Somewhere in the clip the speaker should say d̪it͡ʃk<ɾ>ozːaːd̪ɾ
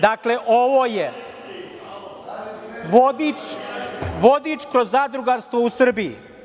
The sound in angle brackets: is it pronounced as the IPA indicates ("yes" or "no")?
yes